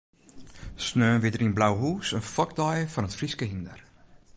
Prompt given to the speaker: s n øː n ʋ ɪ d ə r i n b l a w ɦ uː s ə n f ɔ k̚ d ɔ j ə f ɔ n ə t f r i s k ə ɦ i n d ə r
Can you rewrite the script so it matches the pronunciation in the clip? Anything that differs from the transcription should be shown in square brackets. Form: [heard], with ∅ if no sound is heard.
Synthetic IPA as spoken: s n øː n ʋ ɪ d ə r i n b l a w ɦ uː s ə n f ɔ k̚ d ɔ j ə f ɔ n ə t f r i s k ə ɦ i n d ə r